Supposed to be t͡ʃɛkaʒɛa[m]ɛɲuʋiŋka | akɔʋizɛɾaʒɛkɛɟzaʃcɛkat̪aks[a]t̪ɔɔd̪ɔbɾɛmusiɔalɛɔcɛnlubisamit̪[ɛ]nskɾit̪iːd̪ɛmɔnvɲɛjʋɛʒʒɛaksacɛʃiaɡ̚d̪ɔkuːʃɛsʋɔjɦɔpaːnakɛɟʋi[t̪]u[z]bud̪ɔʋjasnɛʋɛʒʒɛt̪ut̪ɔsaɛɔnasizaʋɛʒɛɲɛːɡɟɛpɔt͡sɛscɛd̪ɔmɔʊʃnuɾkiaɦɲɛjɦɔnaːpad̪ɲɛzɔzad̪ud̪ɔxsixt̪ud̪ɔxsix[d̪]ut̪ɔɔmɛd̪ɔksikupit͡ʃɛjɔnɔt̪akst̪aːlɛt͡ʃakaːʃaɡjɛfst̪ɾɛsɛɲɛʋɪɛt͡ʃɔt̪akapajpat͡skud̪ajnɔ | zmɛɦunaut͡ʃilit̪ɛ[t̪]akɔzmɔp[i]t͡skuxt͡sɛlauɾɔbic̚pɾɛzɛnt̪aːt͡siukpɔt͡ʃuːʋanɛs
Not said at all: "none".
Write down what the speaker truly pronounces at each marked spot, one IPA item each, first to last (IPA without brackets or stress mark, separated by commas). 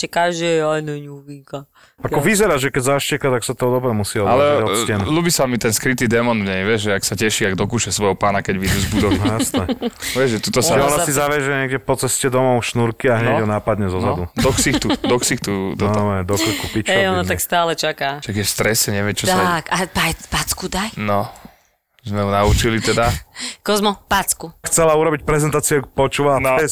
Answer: n, a, ɛ, d̪, z, t̪, d̪, a